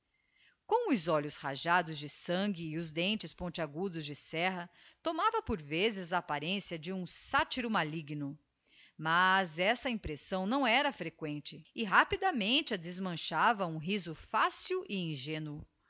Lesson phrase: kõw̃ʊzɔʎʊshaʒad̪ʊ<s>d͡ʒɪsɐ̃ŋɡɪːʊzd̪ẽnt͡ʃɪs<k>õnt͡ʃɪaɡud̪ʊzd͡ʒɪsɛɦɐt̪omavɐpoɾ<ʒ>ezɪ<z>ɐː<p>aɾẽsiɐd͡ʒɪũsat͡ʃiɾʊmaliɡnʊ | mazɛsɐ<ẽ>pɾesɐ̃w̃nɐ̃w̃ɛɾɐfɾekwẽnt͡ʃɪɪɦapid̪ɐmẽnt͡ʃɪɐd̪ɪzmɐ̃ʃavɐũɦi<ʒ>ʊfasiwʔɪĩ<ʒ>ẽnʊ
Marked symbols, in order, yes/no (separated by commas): no, no, no, yes, yes, no, no, yes